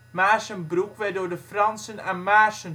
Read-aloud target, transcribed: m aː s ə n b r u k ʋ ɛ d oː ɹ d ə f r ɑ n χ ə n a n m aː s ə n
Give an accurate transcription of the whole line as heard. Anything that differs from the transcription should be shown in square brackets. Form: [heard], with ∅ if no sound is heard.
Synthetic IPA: m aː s ə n b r u k ʋ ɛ d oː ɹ d ə f r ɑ n [s] ə n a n m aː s ə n